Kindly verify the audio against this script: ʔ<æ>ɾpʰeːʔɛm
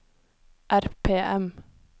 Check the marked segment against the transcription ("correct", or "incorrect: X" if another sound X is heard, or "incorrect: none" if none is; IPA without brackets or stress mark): correct